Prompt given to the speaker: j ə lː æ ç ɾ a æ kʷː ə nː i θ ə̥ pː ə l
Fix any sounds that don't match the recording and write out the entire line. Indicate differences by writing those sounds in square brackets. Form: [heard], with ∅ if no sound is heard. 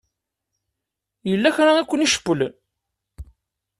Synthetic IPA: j ə lː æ ç ɾ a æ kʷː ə [n] i [ʃ] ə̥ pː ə l

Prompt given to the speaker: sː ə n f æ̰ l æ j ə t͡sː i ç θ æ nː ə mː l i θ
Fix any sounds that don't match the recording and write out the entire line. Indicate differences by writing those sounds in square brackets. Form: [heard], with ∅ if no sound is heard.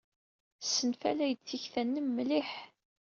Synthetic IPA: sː ə n f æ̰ l æ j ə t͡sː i ç θ æ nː ə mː l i [ħ]

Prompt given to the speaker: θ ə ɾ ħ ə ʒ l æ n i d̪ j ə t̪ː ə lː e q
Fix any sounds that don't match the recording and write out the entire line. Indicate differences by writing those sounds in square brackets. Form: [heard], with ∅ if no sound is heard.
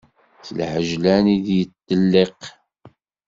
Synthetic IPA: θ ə [l] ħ ə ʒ l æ n i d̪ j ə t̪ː ə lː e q

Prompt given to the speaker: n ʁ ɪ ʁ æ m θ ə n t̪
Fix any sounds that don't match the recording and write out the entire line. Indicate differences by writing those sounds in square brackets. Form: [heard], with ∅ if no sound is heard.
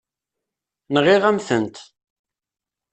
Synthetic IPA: n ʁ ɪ ʁ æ m θ ə n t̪

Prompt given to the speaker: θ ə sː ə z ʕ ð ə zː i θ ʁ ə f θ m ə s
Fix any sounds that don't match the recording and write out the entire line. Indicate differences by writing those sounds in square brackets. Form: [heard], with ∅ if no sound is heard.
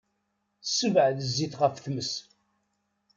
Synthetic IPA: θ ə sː ə [v] ʕ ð ə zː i θ ʁ ə f θ m ə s

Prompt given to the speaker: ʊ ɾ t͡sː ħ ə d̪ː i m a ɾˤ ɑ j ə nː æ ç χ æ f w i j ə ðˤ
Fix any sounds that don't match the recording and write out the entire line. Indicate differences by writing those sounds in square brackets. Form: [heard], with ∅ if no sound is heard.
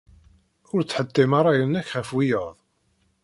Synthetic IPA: ʊ ɾ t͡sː ħ ə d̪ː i m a ɾˤ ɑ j ə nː æ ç χ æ f w i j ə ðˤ

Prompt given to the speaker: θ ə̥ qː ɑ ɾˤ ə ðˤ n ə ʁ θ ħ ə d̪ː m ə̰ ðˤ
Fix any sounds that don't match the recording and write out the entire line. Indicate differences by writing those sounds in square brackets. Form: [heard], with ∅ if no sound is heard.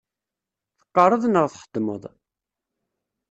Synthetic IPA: θ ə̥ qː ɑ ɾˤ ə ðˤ n ə ʁ θ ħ ə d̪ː m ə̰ ðˤ

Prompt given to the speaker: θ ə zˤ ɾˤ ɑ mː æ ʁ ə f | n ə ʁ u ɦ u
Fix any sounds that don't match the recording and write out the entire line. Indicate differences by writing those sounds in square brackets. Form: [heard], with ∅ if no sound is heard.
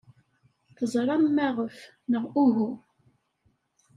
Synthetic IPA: θ ə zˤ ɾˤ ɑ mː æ ʁ ə f | n ə ʁ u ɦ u

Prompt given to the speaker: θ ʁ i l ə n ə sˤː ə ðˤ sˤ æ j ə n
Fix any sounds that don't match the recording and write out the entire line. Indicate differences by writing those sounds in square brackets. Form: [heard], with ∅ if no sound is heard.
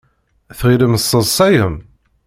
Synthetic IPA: θ ʁ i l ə [m] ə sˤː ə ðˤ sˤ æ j ə [m]

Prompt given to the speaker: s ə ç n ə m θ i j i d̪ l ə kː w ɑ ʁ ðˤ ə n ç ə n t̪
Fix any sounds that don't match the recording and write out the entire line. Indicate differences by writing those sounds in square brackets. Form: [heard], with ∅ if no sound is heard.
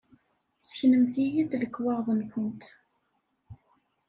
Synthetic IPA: s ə ç n ə m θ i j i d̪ l ə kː w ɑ ʁ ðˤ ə n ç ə n t̪

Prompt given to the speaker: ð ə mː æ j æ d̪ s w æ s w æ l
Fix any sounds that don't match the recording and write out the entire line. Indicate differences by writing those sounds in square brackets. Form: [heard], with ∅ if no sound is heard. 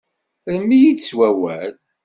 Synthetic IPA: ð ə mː [i] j [i] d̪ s w æ [∅] w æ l

